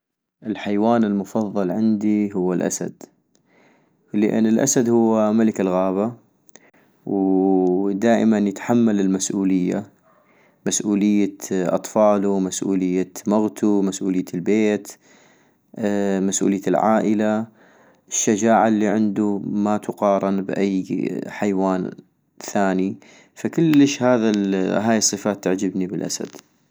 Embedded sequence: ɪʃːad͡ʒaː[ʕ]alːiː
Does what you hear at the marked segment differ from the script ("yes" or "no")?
no